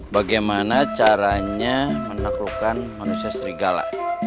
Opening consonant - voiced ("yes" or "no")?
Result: yes